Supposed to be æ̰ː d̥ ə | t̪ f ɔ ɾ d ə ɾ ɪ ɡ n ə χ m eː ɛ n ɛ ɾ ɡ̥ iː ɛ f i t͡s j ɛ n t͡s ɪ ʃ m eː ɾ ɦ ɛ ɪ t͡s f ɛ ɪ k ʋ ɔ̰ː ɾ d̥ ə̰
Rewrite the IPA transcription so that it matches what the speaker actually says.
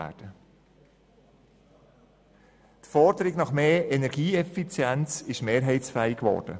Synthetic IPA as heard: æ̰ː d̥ ə | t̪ f ɔ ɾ d ə ɾ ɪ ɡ n ɑ χ m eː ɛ n ɛ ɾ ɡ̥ iː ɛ f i t͡s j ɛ n t͡s ɪ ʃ m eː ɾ ɦ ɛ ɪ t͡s f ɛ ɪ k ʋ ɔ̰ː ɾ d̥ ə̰